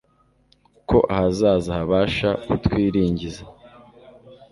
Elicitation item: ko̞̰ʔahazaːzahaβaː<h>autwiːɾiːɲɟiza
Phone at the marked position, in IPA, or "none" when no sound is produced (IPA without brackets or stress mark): ʃ